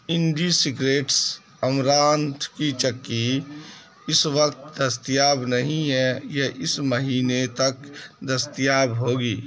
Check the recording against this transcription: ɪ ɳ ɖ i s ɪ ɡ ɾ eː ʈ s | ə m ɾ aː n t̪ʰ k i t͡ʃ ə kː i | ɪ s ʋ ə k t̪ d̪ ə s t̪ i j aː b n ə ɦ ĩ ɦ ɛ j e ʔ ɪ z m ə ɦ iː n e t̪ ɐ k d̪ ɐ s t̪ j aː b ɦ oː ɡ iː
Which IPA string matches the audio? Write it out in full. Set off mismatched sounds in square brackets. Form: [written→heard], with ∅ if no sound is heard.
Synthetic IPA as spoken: ɪ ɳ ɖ i s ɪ ɡ ɾ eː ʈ s | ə m ɾ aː n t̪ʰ k i t͡ʃ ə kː i | ɪ s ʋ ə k t̪ d̪ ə s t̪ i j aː b n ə ɦ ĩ ɦ ɛ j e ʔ ɪ [z→s] m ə ɦ iː n e t̪ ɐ k d̪ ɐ s t̪ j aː b ɦ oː ɡ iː